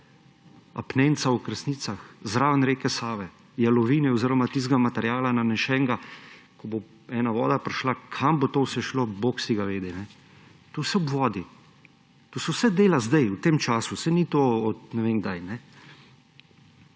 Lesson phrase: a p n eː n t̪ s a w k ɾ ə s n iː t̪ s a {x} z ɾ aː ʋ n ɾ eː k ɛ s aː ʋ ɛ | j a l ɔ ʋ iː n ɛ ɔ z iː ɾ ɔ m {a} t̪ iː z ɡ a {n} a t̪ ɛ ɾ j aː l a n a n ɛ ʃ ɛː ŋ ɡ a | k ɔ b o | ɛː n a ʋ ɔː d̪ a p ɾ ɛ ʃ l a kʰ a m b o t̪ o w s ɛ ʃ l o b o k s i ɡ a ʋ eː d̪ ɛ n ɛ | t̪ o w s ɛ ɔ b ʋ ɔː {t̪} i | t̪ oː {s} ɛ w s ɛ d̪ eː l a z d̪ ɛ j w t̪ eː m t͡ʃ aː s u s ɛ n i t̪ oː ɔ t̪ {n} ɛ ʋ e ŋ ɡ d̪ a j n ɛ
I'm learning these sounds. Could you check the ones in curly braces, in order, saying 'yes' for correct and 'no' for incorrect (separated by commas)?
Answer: yes, yes, no, no, yes, yes